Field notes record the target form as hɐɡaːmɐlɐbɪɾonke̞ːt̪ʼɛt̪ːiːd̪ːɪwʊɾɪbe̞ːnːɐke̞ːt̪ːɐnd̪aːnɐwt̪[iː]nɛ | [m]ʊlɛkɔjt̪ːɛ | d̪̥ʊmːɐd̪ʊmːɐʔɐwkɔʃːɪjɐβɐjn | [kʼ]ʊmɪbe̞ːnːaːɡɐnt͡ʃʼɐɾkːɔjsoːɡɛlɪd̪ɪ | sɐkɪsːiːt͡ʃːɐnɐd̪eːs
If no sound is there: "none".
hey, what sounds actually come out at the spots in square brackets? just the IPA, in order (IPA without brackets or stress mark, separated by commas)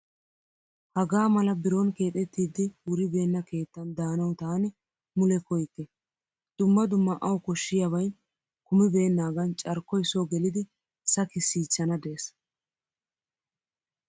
aː, m, k